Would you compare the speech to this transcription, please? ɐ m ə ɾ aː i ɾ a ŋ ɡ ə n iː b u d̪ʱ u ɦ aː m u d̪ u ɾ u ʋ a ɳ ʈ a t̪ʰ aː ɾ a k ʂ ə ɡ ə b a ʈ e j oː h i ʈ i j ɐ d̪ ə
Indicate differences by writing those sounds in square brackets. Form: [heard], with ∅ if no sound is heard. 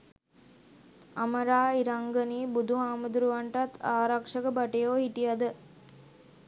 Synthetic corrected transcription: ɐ m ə ɾ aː i ɾ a ŋ ɡ ə n iː b u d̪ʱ u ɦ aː m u d̪ u ɾ u ʋ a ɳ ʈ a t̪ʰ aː ɾ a k ʂ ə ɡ ə b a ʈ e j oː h i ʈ i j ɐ d̪ ə